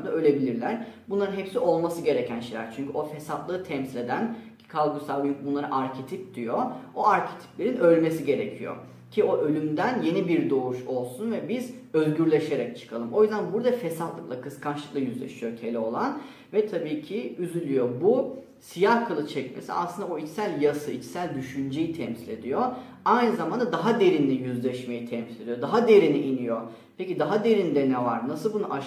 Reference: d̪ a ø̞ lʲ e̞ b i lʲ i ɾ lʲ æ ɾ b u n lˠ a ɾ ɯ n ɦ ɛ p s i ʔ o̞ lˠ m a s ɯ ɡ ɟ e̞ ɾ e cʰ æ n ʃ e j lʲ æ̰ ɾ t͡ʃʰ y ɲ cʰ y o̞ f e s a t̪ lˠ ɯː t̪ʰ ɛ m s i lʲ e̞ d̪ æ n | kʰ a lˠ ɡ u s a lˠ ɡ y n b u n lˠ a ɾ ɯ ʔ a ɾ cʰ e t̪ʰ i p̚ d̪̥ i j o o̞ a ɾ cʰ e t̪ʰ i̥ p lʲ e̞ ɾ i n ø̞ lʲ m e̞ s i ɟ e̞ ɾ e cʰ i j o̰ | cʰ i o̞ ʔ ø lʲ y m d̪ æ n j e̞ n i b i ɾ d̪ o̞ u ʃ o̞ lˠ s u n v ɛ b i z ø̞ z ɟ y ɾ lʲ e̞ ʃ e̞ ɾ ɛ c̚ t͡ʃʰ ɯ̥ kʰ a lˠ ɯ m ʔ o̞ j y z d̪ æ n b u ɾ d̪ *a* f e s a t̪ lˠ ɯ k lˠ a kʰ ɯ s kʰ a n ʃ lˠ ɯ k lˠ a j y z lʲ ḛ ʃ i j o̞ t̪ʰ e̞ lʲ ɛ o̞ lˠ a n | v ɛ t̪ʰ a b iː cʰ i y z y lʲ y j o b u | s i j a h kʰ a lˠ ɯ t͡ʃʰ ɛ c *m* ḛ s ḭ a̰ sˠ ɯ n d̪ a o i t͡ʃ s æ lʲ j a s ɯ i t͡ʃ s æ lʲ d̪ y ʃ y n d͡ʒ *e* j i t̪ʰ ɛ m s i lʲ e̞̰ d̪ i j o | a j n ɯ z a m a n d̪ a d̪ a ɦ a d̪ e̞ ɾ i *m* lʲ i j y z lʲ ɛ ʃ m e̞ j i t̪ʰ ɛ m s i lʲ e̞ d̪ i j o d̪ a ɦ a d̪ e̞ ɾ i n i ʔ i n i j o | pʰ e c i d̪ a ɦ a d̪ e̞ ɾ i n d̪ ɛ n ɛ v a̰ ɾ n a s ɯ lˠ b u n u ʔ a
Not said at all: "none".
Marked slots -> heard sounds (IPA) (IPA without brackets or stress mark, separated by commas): a, m, e, n